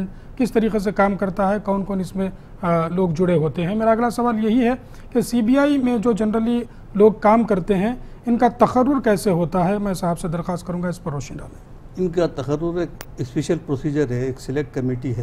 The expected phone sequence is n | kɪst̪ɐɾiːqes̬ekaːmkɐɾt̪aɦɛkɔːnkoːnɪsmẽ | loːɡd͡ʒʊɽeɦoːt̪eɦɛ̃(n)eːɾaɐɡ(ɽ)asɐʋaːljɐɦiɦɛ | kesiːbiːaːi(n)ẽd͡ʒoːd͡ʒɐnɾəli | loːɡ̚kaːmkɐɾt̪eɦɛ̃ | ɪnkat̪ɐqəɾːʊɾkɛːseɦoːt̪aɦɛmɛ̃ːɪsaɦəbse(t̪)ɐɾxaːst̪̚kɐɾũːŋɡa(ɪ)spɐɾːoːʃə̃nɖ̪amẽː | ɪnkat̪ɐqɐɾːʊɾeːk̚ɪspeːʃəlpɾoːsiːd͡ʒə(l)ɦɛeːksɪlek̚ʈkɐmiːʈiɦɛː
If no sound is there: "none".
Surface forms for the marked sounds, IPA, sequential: m, l, m, d̪, ɪ, ɾ

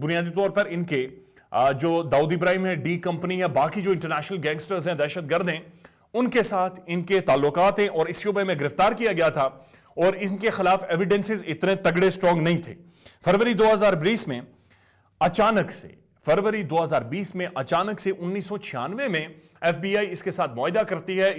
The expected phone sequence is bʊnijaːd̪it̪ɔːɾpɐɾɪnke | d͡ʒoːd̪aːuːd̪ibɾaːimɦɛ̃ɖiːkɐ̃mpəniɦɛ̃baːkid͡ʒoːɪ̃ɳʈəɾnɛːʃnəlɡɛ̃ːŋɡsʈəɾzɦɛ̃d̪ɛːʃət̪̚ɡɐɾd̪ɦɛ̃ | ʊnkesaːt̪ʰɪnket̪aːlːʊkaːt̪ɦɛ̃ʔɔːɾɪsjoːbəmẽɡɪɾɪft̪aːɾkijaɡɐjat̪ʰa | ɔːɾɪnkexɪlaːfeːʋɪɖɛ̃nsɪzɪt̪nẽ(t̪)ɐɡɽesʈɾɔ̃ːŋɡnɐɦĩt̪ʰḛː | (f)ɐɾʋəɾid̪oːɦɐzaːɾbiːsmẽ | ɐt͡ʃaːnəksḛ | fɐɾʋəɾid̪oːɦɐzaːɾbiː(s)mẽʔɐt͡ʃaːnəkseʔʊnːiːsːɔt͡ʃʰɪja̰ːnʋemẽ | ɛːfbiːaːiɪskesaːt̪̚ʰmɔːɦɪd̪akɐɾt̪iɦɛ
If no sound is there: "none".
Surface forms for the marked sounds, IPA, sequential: t̪, f, s

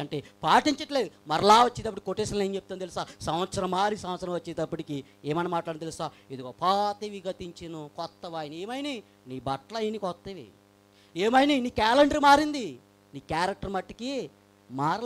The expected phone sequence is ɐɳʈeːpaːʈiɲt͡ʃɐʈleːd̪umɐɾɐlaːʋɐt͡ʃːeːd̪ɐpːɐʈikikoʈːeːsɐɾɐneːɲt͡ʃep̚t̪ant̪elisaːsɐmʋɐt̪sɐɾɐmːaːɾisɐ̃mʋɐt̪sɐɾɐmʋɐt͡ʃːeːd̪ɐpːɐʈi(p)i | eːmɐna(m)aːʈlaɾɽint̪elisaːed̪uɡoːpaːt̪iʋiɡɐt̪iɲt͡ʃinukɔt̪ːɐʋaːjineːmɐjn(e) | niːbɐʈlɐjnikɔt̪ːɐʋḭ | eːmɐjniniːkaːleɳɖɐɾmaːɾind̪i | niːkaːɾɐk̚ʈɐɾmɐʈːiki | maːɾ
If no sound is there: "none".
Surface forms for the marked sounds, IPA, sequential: k, m, i

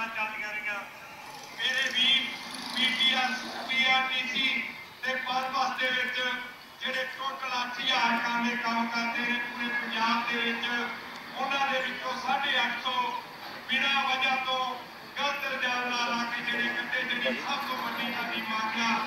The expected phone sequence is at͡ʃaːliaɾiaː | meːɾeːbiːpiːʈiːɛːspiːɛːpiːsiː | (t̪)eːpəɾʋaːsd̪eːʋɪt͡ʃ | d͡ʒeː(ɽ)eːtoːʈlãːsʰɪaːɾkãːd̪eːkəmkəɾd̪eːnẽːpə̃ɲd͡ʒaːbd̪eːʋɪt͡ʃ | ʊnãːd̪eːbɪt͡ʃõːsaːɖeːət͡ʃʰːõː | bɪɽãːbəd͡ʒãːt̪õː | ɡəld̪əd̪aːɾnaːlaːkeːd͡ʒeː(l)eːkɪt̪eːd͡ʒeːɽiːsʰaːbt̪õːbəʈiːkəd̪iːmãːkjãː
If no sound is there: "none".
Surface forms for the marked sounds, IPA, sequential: t̪, ɽ, ɽ

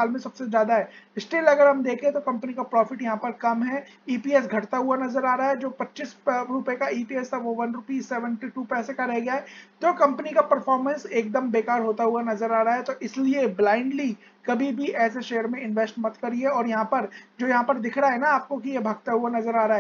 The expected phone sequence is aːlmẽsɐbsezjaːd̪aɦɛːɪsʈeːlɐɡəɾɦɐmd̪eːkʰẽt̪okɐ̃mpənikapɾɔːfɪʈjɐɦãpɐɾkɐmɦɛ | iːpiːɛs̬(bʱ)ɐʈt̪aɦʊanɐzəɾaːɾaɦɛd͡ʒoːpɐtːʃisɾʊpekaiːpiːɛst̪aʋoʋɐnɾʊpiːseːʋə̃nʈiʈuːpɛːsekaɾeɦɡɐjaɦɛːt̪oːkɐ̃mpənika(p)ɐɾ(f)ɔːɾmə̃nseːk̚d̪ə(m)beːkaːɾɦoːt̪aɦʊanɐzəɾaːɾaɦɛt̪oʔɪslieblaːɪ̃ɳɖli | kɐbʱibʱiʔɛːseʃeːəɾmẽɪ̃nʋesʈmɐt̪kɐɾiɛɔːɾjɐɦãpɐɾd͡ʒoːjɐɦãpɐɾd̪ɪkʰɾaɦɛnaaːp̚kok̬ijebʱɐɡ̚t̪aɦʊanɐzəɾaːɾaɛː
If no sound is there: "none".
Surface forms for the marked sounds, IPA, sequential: ɡʱ, p, f, m

